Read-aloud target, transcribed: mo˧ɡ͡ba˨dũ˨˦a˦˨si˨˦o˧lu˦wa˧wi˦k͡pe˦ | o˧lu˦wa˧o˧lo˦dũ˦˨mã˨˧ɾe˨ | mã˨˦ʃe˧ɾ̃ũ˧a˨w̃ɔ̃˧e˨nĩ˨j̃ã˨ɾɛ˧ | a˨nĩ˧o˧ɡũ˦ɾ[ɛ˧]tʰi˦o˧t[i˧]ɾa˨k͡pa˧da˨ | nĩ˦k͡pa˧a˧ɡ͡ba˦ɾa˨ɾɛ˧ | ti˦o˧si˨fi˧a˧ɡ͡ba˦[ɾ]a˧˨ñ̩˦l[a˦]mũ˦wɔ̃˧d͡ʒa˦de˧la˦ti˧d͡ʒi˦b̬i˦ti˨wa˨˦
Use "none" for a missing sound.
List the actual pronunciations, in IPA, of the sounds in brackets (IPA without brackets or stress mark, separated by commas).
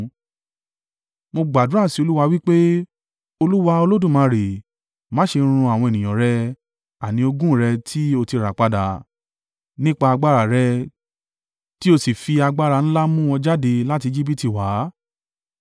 ɛ˧, i˧, ɾ, a˦